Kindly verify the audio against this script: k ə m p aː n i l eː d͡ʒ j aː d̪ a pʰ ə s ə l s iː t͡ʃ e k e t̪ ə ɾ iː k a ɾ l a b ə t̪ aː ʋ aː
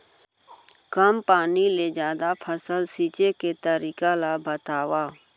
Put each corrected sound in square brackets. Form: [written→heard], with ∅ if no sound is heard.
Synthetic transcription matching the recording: k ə m p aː n i l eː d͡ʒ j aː d̪ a pʰ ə s ə l s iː t͡ʃ e k e t̪ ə ɾ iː k a [ɾ→∅] l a b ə t̪ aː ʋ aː